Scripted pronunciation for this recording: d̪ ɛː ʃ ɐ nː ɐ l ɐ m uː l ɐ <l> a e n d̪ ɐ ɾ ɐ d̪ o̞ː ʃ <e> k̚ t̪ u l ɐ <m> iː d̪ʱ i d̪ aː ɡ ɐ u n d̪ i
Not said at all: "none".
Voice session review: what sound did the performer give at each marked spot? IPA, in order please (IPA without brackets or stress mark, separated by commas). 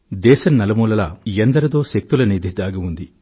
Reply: l, e, n